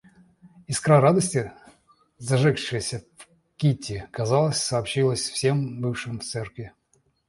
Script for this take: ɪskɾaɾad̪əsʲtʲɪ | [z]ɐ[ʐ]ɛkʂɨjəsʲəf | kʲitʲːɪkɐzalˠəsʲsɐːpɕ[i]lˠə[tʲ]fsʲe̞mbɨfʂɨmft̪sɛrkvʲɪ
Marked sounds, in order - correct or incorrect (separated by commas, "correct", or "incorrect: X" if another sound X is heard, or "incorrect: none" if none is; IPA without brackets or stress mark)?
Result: correct, correct, correct, incorrect: sʲ